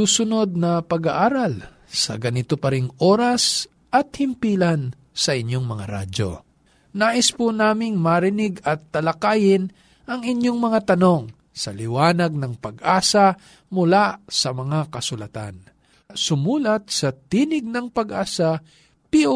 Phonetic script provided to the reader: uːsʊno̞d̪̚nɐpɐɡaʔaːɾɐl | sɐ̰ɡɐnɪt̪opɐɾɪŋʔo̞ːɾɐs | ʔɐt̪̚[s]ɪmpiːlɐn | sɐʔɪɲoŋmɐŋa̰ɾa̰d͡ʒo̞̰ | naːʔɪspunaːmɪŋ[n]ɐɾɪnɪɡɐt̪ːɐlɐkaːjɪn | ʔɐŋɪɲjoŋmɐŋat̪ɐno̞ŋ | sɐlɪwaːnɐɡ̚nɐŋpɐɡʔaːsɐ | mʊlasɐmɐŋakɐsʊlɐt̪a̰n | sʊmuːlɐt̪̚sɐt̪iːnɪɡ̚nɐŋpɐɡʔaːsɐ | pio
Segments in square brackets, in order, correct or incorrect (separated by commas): incorrect, incorrect